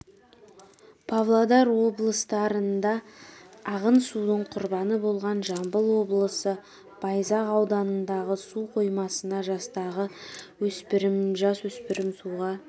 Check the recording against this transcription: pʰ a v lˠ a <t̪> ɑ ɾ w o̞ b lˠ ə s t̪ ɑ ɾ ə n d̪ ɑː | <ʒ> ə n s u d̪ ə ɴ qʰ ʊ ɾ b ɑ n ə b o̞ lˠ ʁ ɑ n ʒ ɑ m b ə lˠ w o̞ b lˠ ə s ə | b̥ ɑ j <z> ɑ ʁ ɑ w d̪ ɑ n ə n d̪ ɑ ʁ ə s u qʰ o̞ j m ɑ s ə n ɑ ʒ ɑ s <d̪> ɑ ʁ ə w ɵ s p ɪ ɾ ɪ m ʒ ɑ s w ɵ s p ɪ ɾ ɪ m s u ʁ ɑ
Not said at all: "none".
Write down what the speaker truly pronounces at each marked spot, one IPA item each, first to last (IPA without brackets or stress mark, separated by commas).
d̪, ʁ, z, t̪